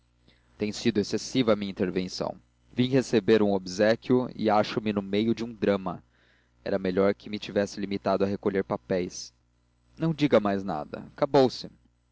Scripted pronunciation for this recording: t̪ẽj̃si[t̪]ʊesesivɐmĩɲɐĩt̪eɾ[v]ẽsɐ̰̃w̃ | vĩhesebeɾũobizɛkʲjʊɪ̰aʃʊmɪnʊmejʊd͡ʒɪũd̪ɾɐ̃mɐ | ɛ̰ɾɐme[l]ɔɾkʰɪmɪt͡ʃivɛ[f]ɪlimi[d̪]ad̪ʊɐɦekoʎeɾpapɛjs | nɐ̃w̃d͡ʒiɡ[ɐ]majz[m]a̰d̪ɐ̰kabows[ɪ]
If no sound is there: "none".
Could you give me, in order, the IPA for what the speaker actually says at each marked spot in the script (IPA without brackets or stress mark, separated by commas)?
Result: d̪, v, ʎ, s, t̪, ɐ, n, ɪ